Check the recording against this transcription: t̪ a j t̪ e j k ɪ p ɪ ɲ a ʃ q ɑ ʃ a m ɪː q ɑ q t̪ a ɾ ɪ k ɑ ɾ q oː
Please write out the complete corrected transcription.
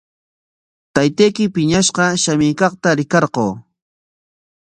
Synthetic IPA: t̪ a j t̪ e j k ɪ p ɪ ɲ a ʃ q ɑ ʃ a m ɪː k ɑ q t̪ a ɾ ɪ k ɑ ɾ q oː